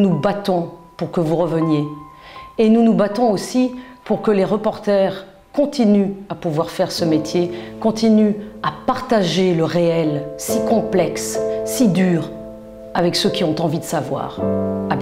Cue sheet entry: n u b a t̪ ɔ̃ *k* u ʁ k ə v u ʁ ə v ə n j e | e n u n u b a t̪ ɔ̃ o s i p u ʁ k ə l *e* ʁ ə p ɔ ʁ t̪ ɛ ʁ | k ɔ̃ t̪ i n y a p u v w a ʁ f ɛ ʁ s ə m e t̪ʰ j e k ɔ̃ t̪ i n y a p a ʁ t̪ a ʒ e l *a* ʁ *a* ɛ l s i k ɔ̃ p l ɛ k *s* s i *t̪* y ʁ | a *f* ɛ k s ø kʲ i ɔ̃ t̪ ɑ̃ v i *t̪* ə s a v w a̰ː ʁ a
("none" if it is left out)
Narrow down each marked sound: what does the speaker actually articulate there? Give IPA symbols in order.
p, e, ə, e, s, d̪, v, d̪

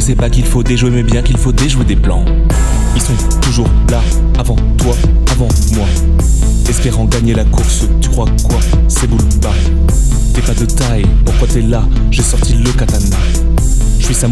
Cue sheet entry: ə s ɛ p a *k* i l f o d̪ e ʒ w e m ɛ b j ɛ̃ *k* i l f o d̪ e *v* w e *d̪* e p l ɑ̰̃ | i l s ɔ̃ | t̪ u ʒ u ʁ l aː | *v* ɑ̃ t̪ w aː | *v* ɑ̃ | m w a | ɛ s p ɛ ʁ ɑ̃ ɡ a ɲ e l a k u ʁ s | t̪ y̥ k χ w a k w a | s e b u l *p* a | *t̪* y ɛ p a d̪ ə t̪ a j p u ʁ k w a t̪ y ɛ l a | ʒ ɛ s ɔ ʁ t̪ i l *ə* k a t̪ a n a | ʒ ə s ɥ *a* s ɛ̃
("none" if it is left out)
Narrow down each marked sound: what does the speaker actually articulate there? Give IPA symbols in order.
k, k, ʒ, d̪, v, v, b, t̪, ə, i

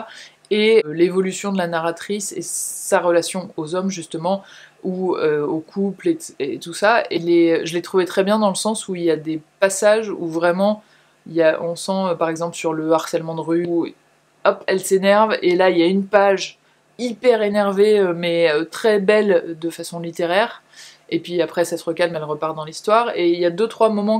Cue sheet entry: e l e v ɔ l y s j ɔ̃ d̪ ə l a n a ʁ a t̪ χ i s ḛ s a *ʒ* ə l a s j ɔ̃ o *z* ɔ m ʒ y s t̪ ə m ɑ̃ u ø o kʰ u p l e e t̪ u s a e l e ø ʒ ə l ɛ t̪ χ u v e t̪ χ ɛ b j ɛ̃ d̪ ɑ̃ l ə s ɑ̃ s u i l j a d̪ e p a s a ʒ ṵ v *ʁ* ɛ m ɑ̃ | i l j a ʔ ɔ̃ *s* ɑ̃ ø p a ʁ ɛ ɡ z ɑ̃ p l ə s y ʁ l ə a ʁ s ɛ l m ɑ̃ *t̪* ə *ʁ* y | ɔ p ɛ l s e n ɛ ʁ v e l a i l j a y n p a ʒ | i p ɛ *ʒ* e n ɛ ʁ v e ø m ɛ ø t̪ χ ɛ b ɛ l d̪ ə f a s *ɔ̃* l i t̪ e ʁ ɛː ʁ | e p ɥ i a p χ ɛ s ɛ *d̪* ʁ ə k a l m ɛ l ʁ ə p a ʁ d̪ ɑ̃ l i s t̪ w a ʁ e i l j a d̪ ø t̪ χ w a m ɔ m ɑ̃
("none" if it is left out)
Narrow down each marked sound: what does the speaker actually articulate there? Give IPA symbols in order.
ʁ, z, ʁ, s, d̪, ʁ, ʁ, ɔ̃, t̪

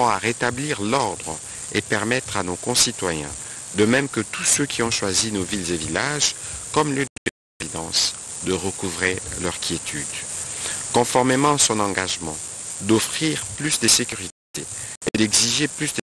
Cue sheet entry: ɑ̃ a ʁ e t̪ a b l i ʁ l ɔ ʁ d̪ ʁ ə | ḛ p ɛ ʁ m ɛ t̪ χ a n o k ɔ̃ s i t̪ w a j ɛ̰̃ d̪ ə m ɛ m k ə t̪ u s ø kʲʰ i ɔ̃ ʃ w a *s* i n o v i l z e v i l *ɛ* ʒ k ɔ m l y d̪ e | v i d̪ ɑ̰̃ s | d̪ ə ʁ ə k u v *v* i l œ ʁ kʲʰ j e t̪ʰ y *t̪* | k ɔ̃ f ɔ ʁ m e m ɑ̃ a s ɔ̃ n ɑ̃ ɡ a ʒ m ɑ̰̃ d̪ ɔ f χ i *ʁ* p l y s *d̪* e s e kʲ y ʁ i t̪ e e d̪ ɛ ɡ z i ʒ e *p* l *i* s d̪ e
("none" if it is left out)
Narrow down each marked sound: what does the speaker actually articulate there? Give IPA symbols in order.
z, a, ʁ, d̪, ʁ, d̪, p, y

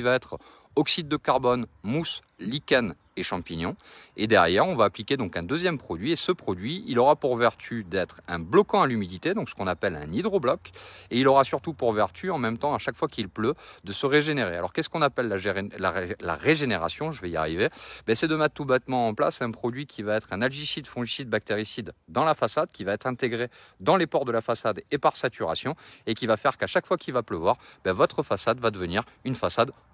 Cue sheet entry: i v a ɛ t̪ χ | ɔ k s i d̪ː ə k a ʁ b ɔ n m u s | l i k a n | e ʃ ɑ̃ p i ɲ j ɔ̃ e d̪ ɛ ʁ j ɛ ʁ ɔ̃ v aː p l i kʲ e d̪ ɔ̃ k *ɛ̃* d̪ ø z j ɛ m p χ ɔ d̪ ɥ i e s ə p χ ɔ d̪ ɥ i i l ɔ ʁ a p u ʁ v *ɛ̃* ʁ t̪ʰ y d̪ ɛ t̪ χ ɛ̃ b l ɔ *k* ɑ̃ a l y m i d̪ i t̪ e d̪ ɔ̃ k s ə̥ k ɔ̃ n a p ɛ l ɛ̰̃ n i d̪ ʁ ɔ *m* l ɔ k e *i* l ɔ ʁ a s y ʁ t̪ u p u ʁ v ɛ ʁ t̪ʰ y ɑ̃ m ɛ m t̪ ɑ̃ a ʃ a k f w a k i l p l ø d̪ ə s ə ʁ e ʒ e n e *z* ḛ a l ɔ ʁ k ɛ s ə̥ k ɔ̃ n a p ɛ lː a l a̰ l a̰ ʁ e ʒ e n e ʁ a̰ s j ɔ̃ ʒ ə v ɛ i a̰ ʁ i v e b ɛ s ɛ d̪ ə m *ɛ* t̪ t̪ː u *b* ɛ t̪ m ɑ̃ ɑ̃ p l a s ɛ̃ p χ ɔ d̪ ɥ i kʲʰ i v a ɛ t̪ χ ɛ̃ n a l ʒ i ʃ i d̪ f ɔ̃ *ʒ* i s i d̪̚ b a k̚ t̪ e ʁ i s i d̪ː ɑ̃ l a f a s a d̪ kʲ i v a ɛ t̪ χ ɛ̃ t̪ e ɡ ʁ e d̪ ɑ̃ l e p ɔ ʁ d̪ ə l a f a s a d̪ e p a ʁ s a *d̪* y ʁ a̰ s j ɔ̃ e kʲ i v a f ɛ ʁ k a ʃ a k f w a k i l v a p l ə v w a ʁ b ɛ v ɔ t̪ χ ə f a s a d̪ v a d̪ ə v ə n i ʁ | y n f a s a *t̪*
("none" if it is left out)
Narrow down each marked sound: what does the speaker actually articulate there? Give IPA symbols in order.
ɛ̃, ɛ, k, b, i, ʁ, ɛ, b, ʒ, t̪, d̪

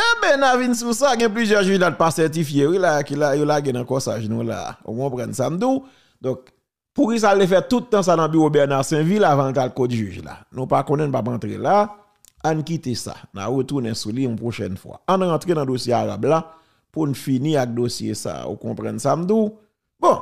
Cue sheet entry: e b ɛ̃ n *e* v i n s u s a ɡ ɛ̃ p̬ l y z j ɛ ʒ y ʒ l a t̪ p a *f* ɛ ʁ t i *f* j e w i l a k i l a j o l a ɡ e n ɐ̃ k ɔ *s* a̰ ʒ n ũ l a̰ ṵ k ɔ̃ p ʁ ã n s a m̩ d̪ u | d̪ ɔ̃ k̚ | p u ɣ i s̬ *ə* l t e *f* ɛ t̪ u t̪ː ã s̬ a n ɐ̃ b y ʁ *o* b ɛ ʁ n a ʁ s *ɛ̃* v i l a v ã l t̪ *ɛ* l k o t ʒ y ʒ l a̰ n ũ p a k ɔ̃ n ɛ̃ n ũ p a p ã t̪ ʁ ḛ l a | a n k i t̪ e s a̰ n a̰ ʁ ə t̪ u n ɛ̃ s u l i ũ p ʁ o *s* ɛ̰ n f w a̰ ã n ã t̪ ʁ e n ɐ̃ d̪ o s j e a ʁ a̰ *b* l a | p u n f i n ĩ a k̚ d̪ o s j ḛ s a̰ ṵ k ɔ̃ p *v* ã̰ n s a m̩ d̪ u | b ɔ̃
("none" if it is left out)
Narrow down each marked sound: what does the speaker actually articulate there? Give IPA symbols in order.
a, s, f, s, a, f, o, ɛ̃, a, ʃ, b, ʁ

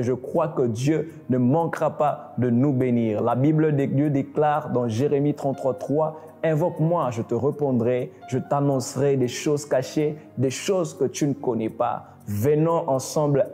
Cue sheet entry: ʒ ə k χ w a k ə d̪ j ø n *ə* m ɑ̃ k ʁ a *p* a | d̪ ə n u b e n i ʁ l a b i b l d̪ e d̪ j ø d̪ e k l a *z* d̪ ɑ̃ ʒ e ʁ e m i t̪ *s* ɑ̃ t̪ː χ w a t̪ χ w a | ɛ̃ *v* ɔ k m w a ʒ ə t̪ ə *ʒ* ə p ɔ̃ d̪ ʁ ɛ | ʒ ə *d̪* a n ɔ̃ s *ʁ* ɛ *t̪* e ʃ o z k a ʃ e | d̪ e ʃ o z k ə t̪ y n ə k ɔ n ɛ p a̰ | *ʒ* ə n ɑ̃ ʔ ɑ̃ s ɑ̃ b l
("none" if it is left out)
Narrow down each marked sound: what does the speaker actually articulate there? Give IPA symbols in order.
ə, p, ʁ, χ, v, ʁ, t̪, ʁ, d̪, v

